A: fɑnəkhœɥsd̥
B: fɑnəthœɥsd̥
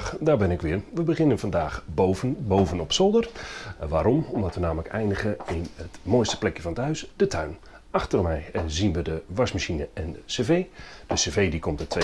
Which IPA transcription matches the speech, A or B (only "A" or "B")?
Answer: B